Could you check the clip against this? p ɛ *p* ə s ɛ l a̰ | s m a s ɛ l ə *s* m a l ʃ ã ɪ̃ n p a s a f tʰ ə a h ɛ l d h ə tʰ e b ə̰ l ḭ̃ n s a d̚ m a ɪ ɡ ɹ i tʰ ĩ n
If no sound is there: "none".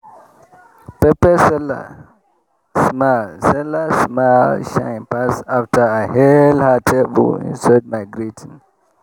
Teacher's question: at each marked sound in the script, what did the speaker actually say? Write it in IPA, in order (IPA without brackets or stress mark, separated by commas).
p, s